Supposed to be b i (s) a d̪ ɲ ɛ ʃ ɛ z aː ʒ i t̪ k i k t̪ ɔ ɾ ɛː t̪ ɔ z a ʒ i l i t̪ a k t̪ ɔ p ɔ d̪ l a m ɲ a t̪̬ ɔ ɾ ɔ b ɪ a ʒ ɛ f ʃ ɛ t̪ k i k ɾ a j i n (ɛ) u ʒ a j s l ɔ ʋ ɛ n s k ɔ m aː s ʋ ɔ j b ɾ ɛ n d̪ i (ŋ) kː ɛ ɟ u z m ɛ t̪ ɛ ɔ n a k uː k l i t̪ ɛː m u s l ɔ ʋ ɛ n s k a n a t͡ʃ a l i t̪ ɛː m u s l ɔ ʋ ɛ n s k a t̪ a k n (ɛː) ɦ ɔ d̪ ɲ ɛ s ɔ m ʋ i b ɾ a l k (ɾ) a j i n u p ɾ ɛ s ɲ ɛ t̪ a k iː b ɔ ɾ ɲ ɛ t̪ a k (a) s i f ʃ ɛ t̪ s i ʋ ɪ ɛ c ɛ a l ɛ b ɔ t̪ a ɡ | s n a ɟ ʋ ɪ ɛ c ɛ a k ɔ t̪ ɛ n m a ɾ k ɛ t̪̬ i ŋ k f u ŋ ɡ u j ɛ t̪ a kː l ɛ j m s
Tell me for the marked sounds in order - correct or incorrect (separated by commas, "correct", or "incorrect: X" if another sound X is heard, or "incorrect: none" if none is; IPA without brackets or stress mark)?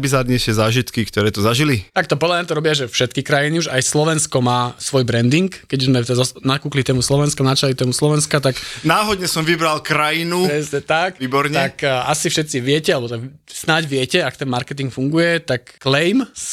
incorrect: z, incorrect: i, correct, incorrect: aː, correct, correct